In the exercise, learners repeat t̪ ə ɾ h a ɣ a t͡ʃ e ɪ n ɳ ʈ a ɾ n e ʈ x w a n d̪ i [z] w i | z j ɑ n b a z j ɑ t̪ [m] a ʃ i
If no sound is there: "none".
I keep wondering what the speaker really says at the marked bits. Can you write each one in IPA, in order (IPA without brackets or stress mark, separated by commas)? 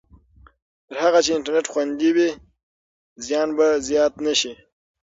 none, n